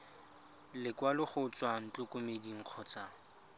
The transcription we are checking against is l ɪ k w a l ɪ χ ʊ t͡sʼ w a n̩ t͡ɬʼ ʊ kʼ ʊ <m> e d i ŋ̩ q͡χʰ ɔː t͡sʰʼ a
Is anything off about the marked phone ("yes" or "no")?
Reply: no